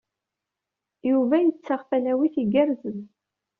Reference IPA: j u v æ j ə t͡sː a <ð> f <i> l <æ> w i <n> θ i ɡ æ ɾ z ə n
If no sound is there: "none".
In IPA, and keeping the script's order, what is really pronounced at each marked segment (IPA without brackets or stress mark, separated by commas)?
ʁ, æ, æ, none